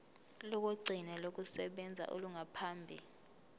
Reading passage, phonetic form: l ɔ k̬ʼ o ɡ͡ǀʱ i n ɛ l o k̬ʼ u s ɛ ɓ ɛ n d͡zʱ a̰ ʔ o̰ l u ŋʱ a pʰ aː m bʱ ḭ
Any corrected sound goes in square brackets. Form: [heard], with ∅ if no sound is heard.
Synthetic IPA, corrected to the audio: l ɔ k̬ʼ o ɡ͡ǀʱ i n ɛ l o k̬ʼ u s ɛ ɓ ɛ n d͡zʱ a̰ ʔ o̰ l u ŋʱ a pʰ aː m bʱ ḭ